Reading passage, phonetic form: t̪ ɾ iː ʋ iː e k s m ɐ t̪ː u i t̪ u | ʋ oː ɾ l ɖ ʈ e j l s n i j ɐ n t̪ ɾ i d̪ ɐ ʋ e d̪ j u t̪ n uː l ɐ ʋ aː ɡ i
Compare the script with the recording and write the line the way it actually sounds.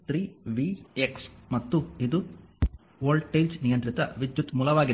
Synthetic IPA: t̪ ɾ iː ʋ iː e k s m ɐ t̪ː u i d̪ u | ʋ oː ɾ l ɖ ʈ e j l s n i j ɐ n t̪ ɾ i t̪ ɐ ʋ i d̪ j u t̪ m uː l ɐ ʋ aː ɡ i